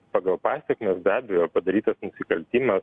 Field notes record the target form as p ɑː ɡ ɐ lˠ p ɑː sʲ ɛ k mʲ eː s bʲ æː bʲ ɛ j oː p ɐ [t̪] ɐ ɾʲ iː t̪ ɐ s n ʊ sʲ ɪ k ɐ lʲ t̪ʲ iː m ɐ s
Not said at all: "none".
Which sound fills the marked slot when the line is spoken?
d̪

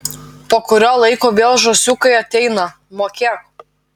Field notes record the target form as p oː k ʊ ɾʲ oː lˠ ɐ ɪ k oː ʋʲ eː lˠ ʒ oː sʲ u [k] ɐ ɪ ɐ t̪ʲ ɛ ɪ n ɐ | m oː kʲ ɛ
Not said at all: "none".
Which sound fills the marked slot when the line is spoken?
k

